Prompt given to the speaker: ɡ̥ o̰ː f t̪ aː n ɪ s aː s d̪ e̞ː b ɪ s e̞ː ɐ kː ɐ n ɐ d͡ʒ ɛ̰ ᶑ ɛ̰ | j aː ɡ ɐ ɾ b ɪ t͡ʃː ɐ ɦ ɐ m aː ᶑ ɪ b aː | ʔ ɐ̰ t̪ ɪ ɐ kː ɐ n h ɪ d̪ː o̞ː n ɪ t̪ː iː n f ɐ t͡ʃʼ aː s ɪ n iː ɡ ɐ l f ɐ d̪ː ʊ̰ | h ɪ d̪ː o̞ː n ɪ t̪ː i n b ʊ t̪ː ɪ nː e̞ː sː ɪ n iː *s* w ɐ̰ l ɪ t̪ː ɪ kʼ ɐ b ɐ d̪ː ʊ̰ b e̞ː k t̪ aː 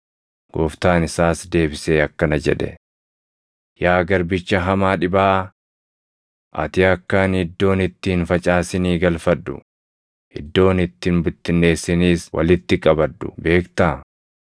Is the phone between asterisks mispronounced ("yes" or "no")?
no